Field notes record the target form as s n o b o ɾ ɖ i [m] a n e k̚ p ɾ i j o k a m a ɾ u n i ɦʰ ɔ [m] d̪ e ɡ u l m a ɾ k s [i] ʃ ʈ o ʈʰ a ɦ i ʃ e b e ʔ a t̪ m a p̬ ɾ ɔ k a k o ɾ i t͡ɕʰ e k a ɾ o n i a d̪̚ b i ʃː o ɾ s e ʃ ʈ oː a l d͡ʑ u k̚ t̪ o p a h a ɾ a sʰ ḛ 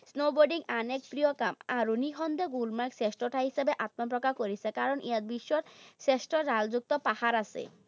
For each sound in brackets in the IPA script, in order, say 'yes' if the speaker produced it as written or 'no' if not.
no, no, no

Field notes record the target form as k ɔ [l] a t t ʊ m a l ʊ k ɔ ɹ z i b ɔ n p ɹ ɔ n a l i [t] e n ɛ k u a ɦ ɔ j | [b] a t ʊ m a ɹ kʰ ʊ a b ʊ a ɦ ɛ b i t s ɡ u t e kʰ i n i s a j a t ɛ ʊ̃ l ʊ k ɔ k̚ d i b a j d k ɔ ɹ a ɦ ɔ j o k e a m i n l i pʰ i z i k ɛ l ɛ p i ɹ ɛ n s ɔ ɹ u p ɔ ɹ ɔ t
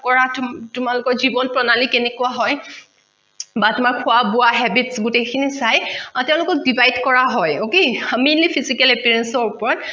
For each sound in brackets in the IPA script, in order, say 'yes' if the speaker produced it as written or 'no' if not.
no, no, yes

